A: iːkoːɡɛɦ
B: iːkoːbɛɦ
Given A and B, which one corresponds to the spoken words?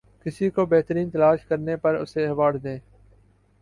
B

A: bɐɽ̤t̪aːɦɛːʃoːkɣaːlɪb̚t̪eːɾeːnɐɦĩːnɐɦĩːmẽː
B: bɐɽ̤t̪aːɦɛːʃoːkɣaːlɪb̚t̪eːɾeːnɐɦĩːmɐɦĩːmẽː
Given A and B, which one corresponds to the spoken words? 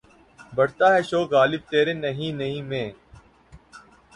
A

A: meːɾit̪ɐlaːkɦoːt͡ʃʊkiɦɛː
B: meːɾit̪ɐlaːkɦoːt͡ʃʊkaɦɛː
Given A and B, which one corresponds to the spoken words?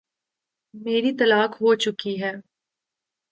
A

